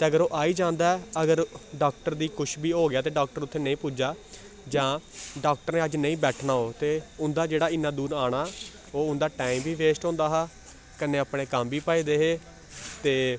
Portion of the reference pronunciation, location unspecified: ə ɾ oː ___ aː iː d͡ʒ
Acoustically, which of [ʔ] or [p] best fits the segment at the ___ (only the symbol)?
ʔ